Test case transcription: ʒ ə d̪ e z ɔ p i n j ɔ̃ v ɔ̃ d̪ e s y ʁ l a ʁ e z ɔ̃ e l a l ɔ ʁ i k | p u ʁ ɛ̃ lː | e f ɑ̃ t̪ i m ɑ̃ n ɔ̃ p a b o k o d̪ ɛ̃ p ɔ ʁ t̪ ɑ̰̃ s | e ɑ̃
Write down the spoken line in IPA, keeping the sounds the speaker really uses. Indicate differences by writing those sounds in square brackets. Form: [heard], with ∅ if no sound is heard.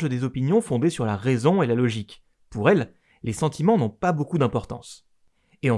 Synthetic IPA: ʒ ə d̪ e z ɔ p i n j ɔ̃ [f] ɔ̃ d̪ e s y ʁ l a ʁ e z ɔ̃ e l a l ɔ [ʒ] i k | p u ʁ [ɛ] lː | e [s] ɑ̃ t̪ i m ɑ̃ n ɔ̃ p a b o k [u] d̪ ɛ̃ p ɔ ʁ t̪ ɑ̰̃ s | e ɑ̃